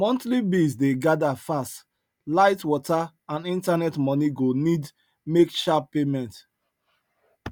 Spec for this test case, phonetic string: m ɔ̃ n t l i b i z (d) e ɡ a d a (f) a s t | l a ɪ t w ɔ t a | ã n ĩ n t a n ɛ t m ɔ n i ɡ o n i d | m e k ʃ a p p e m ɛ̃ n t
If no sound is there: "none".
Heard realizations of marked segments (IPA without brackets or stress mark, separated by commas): d, f